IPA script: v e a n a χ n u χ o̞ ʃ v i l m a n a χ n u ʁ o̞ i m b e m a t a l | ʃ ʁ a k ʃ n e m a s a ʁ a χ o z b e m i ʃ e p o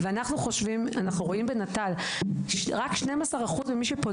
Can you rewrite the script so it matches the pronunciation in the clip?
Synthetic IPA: v e a n a χ n u χ o̞ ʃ v i m a n a χ n u ʁ o̞ i m b e n a t a l | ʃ ʁ a k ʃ n e m a s a ʁ a χ u z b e m i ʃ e p o

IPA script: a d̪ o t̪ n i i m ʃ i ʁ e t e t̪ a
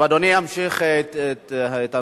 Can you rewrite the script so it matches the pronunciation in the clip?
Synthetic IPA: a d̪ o n i a m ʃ i χ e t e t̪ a

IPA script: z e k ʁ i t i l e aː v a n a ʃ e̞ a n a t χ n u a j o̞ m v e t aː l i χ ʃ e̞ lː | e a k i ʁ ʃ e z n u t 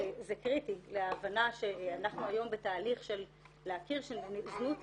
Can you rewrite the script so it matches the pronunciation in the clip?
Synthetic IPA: z e k ʁ i t i l e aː v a n a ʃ e̞ a n a χ n u a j o̞ m b e t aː l i χ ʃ e̞ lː | e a k i ʁ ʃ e z n u t

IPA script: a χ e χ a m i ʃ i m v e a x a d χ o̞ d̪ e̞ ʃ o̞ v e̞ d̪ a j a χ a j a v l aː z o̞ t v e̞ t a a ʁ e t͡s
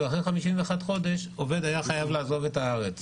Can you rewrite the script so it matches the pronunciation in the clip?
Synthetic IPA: a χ e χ a m i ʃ i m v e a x a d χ o̞ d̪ e̞ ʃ o̞ v e̞ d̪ a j a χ a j a v l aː z o̞ v e̞ t a a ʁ e t͡s

